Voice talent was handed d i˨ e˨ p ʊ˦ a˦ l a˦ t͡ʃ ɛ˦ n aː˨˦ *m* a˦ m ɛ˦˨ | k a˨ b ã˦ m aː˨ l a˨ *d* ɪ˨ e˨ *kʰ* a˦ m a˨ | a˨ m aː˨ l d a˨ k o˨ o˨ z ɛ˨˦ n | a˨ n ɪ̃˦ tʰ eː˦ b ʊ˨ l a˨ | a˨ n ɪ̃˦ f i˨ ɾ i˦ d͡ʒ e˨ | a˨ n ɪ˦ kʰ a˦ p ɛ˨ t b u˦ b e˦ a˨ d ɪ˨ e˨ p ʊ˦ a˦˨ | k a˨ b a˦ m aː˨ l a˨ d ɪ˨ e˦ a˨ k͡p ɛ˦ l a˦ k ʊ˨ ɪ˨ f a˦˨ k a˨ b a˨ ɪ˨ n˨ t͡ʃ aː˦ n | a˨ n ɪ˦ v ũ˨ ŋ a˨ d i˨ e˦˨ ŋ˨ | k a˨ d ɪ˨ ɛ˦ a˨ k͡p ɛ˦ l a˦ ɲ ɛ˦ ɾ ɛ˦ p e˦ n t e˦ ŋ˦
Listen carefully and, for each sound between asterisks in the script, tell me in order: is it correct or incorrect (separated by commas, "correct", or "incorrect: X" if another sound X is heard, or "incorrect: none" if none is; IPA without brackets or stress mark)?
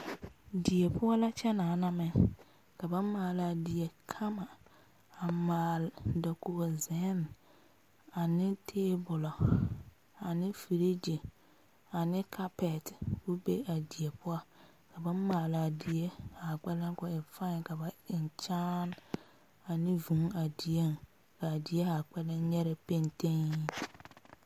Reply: incorrect: n, correct, correct